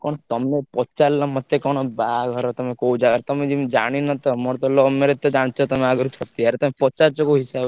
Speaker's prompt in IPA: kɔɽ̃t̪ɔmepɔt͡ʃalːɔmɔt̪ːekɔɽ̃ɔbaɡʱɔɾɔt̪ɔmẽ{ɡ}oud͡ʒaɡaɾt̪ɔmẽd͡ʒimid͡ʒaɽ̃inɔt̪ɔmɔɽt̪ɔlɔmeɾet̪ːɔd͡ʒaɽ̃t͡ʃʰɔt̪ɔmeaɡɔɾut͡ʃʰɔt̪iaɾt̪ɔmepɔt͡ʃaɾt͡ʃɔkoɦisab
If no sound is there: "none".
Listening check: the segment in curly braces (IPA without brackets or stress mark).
k